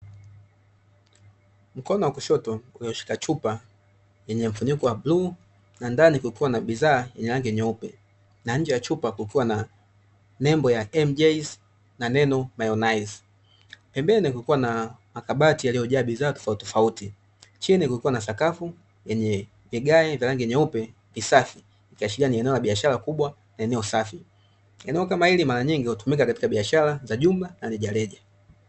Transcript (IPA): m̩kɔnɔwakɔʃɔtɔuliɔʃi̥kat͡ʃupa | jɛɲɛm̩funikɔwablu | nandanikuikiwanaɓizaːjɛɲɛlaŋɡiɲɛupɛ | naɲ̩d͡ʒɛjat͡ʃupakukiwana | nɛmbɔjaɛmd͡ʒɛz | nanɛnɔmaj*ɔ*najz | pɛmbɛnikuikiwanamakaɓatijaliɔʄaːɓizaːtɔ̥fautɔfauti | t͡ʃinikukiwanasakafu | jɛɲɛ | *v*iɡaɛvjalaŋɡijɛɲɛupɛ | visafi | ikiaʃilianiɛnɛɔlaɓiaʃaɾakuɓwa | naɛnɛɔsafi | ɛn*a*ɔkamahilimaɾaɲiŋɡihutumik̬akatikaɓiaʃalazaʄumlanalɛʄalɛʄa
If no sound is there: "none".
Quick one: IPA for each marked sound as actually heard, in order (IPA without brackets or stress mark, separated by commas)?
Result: ɔ, v, ɛ